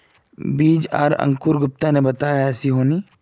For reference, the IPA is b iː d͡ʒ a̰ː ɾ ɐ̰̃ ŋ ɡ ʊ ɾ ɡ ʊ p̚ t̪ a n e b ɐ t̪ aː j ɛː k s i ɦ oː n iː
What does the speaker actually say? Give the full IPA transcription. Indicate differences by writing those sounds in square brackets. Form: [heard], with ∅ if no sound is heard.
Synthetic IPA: b iː d͡ʒ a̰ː ɾ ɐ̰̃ ŋ [k] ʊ ɾ ɡ ʊ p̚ t̪ a n e b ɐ t̪ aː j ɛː [∅] s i ɦ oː n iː